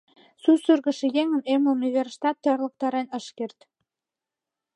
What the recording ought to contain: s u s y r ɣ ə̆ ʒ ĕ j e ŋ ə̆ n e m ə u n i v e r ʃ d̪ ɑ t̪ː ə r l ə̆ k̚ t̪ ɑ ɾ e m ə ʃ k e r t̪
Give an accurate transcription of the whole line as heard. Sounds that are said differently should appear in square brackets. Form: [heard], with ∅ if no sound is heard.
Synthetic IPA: s u s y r ɣ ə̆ [ʃ] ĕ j e ŋ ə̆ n e m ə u n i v e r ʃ [t̪] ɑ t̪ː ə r l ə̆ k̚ t̪ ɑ ɾ e [n] ə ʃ k e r t̪